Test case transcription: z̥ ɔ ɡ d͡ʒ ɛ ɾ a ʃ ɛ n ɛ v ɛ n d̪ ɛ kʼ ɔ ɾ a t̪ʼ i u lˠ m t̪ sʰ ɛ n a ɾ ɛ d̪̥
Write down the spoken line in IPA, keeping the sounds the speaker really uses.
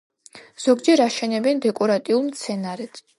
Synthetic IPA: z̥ ɔ ɡ d͡ʒ ɛ ɾ a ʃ ɛ n ɛ b ɛ n d̪ ɛ kʼ ɔ ɾ a t̪ʼ i u lˠ m t̪ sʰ ɛ n a ɾ ɛ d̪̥